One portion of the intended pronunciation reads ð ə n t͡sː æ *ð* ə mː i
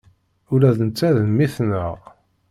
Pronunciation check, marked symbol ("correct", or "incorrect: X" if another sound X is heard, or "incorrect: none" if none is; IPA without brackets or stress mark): correct